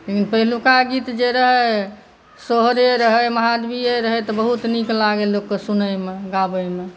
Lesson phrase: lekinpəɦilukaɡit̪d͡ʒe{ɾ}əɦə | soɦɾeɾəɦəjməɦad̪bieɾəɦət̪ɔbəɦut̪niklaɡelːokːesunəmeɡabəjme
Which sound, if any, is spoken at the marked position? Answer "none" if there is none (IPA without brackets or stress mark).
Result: ɾ